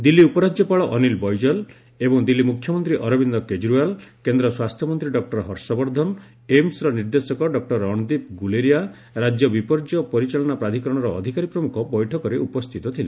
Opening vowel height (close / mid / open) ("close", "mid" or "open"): close